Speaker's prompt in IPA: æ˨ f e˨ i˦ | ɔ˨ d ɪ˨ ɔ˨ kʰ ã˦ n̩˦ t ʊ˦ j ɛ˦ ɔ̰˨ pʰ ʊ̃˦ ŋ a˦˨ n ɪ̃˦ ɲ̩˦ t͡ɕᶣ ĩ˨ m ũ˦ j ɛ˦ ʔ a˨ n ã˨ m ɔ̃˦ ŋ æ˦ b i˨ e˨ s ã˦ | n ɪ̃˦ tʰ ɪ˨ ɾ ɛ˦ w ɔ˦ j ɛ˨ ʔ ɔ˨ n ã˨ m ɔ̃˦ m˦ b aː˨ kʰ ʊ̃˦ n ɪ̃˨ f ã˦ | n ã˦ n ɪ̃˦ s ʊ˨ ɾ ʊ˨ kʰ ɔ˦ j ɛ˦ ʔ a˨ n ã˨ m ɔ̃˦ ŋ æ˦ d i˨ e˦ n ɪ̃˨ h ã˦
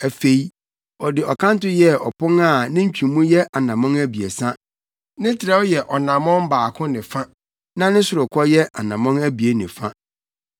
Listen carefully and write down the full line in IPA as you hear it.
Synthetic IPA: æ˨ f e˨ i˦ | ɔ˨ d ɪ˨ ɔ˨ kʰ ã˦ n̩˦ t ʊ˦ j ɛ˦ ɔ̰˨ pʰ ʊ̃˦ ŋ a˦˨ n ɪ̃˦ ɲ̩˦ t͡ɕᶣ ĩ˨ m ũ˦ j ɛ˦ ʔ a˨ n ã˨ m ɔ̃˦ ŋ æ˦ b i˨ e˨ s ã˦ | n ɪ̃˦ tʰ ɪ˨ ɾ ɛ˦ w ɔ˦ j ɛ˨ ʔ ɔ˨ n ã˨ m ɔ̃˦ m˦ b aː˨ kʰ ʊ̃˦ n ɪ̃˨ f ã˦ | n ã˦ n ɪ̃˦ s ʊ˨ ɾ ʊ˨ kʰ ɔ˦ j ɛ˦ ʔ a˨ n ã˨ m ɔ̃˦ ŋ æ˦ b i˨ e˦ n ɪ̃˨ f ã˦